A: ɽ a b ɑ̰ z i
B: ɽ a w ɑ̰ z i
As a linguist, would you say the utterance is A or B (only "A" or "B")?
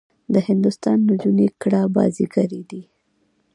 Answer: A